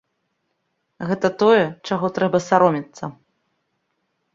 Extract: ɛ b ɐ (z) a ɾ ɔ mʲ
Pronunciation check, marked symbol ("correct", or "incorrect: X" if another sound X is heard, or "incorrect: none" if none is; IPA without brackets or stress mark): incorrect: s